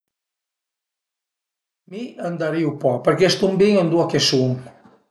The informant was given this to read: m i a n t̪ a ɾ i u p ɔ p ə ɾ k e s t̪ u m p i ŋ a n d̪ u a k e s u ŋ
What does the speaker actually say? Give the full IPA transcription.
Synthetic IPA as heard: m i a n d̪ a ɾ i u p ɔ p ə ɾ k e s t̪ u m b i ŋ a n d̪ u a k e s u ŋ